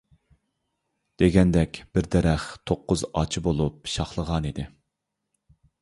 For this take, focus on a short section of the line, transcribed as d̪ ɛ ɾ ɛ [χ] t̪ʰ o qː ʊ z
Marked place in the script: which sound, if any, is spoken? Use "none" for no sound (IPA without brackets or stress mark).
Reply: χ